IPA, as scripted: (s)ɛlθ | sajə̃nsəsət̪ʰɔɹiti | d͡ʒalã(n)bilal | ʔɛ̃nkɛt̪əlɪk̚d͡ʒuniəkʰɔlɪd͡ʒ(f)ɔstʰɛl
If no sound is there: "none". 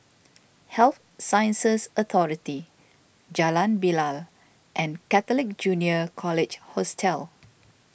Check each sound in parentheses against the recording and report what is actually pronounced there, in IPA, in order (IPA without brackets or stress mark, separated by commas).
h, n, h